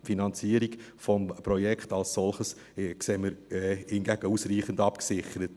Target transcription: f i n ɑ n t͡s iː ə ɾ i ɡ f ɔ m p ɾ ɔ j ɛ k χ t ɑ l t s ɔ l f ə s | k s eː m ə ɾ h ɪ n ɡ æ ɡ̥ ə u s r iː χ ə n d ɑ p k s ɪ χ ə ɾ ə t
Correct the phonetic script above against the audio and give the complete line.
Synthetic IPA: f i n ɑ n t͡s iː ə ɾ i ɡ f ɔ m p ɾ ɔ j ɛ k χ t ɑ l s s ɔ l χ ə s | k s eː m ə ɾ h ɪ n ɡ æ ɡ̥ ə u s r iː χ ə n d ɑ p k s ɪ χ ə ɾ ə t